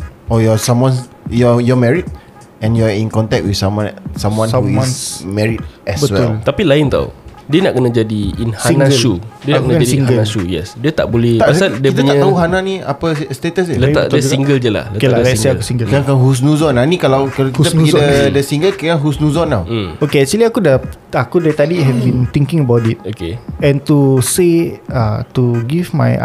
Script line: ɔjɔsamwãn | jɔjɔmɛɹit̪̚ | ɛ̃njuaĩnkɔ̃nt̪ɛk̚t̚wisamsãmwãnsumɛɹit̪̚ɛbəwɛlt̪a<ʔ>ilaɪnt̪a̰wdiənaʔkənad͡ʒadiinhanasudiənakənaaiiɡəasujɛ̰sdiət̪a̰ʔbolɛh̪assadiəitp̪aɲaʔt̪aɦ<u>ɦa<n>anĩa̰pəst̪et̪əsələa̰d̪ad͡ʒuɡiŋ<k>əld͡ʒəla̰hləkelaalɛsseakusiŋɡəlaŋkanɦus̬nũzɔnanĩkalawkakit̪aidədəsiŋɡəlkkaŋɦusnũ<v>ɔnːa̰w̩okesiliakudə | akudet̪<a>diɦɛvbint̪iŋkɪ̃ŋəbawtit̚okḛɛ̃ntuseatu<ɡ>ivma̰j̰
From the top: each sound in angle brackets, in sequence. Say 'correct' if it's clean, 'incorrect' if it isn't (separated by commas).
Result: incorrect, correct, correct, incorrect, incorrect, correct, correct